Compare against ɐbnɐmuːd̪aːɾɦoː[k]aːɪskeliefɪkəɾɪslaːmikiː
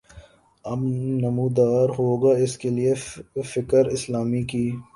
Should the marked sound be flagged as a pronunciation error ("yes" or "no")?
yes